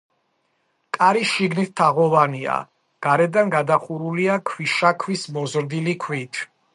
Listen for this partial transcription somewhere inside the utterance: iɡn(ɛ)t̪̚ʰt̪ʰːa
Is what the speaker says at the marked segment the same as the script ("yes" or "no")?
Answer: no